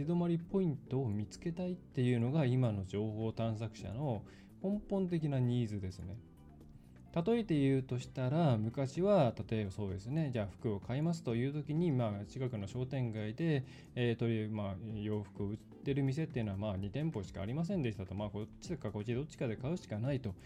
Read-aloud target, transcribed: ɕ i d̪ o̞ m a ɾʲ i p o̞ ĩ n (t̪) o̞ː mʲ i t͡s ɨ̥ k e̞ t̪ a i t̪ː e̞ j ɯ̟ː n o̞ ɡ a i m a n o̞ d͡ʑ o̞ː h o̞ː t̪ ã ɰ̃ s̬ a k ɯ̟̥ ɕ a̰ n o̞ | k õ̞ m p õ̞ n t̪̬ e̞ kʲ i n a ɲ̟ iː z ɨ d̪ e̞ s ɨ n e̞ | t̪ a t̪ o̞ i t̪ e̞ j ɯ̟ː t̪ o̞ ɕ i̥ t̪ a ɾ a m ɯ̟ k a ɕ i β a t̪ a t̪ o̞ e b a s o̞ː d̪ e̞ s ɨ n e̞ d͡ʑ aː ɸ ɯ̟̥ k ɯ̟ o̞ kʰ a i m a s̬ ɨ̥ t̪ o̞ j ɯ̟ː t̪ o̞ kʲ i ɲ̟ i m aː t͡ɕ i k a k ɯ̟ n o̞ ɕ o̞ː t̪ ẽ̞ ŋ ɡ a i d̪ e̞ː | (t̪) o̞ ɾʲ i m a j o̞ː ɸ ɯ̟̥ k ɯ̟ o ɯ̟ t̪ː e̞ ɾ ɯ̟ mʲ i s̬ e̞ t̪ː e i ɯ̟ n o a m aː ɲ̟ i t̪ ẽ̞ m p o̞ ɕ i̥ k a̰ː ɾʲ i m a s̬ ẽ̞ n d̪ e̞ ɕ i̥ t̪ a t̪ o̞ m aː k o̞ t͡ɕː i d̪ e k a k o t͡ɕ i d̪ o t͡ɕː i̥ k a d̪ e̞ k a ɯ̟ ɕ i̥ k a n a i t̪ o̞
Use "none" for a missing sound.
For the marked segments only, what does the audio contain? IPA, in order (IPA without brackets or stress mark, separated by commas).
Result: t̪, t̪